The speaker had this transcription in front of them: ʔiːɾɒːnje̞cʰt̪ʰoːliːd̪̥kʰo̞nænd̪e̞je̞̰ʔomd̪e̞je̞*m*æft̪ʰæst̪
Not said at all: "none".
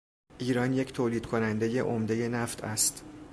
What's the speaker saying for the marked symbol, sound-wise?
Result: n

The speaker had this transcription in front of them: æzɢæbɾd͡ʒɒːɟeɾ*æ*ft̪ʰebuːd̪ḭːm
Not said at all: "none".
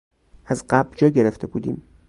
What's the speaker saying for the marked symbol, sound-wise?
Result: e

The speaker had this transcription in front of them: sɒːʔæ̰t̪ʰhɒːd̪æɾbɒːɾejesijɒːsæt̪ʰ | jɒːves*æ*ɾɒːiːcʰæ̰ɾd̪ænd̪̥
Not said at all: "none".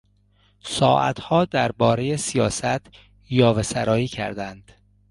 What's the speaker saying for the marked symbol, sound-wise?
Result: æ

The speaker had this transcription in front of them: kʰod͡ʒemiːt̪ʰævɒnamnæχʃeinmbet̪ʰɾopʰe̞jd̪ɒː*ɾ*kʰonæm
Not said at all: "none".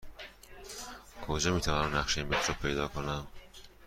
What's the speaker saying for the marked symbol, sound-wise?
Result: none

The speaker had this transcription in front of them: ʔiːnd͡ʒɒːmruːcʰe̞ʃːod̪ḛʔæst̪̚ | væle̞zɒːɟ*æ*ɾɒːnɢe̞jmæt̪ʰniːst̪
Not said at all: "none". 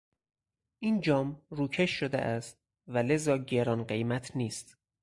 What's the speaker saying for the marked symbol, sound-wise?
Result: e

